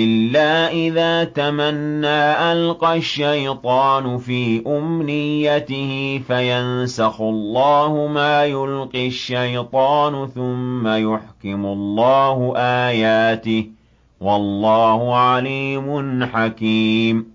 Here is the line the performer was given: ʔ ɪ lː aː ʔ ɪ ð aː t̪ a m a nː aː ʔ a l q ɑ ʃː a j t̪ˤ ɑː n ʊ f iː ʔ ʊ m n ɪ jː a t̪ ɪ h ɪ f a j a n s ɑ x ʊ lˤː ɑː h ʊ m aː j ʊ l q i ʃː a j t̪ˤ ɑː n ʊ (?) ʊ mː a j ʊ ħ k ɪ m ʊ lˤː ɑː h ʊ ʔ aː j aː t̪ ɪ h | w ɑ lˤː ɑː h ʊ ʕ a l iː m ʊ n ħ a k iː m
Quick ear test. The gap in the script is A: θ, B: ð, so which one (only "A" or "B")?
A